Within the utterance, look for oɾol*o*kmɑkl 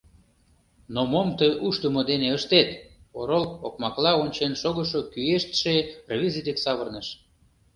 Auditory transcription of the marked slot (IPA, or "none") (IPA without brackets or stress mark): o